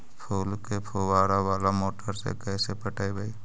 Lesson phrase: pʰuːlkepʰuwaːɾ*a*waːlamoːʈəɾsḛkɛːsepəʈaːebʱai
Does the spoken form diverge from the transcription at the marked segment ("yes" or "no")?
no